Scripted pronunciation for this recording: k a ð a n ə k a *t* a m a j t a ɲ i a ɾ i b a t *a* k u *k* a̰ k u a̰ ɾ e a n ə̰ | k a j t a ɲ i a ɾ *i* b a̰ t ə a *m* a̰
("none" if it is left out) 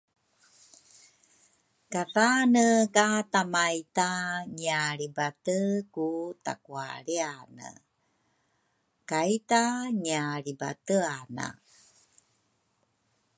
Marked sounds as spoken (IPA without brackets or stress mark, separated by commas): t, ə, t, i, n